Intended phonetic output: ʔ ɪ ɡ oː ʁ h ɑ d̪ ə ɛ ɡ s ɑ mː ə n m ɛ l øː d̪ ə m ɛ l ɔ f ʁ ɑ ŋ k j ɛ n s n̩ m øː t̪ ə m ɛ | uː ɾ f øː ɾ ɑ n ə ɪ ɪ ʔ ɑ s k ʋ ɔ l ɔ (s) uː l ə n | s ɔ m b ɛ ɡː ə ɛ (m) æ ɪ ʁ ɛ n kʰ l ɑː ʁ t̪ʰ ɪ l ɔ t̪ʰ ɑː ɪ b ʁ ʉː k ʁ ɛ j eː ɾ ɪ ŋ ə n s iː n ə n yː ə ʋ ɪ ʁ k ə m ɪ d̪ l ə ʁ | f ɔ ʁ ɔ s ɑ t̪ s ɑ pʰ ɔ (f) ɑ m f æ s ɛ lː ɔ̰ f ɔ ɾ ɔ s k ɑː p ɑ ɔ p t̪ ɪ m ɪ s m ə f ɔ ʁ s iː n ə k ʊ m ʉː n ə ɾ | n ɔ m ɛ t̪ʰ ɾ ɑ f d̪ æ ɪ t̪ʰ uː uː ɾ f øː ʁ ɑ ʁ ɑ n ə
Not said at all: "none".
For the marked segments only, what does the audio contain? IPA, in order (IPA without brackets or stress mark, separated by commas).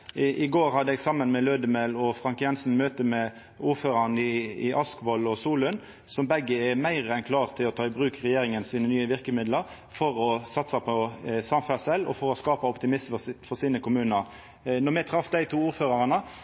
s, m, s